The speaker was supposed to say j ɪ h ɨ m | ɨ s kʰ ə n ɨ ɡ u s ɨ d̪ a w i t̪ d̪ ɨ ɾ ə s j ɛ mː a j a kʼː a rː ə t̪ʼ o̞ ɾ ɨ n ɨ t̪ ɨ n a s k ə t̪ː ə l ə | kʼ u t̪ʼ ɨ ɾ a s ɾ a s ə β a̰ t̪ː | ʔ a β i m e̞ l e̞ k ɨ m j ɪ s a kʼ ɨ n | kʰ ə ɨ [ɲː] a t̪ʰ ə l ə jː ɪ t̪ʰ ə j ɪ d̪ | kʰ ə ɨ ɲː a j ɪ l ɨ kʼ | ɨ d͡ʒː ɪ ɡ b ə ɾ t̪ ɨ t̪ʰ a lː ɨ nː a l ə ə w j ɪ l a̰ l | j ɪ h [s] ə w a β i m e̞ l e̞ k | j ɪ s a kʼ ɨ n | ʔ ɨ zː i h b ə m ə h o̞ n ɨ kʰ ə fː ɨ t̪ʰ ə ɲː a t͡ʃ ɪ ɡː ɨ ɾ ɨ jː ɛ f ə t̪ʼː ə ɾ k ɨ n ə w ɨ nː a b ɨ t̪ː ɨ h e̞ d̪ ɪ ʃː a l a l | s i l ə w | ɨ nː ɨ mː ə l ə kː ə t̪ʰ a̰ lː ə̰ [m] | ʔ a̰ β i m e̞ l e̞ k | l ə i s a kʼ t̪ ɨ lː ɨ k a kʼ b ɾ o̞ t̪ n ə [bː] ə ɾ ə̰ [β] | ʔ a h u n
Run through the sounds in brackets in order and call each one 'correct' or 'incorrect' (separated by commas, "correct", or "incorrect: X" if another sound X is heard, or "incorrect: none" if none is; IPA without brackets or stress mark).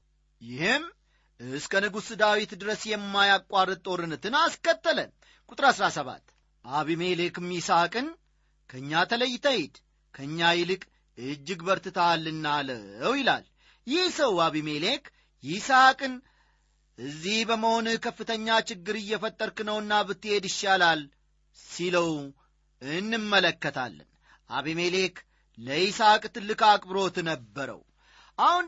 correct, correct, incorrect: n, correct, incorrect: w